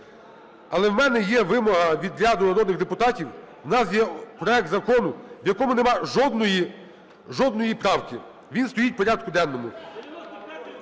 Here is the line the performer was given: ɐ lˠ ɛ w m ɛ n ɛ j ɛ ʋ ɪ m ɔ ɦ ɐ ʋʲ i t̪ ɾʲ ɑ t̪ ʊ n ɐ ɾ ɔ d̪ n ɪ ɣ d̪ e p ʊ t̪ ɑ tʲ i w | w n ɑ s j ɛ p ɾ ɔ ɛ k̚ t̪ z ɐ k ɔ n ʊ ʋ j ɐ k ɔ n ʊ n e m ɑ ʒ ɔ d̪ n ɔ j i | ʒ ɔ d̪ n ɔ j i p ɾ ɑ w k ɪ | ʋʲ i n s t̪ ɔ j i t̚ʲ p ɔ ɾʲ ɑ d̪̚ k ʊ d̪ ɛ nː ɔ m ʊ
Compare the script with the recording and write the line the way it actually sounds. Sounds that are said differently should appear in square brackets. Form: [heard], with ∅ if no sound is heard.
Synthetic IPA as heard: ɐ lˠ ɛ w m ɛ n ɛ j ɛ ʋ ɪ m ɔ ɦ ɐ ʋʲ i [d̪] ɾʲ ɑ [d̪] ʊ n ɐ ɾ ɔ d̪ n ɪ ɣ d̪ e p ʊ t̪ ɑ tʲ i w | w n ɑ s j ɛ p ɾ ɔ ɛ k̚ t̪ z ɐ k ɔ n ʊ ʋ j ɐ k ɔ [m] ʊ n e m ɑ ʒ ɔ d̪ n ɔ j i | ʒ ɔ d̪ n ɔ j i p ɾ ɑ w k ɪ | ʋʲ i n s t̪ ɔ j i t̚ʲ p ɔ ɾʲ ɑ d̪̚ k ʊ d̪ ɛ nː ɔ m ʊ

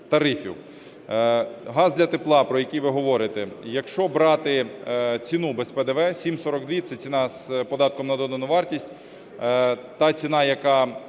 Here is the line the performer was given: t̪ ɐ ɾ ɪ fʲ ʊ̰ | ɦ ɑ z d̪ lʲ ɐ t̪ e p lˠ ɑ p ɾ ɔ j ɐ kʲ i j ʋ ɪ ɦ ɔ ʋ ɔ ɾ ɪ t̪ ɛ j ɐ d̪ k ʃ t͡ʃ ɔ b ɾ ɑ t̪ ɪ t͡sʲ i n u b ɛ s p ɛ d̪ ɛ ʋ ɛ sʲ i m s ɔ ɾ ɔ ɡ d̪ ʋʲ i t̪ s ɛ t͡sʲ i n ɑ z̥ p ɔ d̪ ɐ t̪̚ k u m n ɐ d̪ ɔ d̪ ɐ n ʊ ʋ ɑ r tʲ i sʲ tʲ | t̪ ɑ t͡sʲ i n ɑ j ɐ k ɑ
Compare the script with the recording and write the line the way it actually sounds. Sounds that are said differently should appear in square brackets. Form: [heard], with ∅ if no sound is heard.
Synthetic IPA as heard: t̪ ɐ ɾ ɪ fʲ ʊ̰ | ɦ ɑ z d̪ lʲ ɐ t̪ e p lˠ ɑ p ɾ ɔ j ɐ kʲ i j ʋ ɪ ɦ ɔ ʋ ɔ ɾ ɪ t̪ ɛ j ɐ [∅] k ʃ t͡ʃ ɔ b ɾ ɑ t̪ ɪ t͡sʲ i n u b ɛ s p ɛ d̪ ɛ ʋ ɛ sʲ i m s ɔ ɾ ɔ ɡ d̪ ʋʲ i t̪ s ɛ t͡sʲ i n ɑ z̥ p ɔ d̪ [ɑ] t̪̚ k [ɔ] m n ɐ d̪ ɔ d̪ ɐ n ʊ ʋ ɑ r tʲ i sʲ tʲ | t̪ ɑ t͡sʲ i n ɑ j ɐ k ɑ

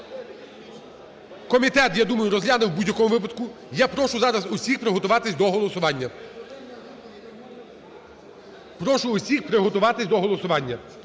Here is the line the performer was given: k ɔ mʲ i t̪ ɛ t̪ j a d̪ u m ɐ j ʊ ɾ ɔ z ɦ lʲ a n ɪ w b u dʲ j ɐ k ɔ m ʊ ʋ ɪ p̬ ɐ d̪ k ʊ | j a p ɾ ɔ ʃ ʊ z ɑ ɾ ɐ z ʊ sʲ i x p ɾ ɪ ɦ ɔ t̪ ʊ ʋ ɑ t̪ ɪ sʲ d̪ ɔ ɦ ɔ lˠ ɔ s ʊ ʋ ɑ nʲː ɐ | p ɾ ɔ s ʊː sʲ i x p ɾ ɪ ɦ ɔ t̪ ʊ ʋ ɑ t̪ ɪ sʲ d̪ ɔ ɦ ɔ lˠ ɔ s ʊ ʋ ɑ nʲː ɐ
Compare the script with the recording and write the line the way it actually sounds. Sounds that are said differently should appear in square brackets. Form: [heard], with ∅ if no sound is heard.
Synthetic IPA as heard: k ɔ mʲ i t̪ ɛ t̪ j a d̪ u m ɐ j ʊ ɾ ɔ z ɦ lʲ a n ɪ w b u dʲ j ɐ k ɔ m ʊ ʋ ɪ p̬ ɐ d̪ k ʊ | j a p ɾ ɔ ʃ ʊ z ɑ ɾ ɐ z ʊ sʲ i x p ɾ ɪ ɦ ɔ t̪ ʊ ʋ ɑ t̪ ɪ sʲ d̪ ɔ ɦ ɔ lˠ ɔ s ʊ ʋ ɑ nʲː ɐ | p ɾ ɔ [ʃ] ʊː sʲ i x p ɾ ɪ ɦ ɔ t̪ ʊ ʋ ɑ t̪ ɪ sʲ d̪ ɔ ɦ ɔ lˠ ɔ s ʊ ʋ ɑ nʲː ɐ

